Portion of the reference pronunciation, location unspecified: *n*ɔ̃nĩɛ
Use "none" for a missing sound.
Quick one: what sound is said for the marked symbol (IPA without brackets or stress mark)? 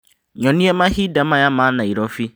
ɲ